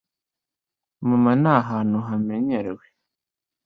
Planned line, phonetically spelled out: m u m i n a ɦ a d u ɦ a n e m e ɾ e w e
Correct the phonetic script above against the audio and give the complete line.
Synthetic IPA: m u m a n a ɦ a n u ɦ a m e ɲ e ɾ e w e